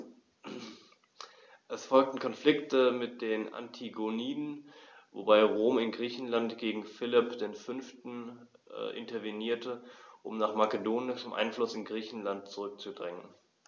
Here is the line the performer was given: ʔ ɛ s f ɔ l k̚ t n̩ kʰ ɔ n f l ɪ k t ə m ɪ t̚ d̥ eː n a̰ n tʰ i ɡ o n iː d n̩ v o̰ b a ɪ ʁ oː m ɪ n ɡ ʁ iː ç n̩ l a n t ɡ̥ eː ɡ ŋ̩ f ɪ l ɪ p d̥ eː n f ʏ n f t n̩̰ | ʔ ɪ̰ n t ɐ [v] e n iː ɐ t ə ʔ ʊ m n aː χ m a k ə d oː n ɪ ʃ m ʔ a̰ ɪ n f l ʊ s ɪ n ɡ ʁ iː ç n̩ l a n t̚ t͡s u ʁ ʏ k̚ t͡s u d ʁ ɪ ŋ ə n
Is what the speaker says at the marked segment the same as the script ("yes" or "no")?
yes